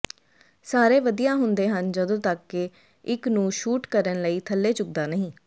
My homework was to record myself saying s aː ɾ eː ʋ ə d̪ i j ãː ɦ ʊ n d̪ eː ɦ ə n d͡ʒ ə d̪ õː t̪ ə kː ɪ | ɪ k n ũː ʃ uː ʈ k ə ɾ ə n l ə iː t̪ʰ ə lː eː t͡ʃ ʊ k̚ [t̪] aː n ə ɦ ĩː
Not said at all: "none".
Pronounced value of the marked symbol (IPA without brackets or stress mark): d̪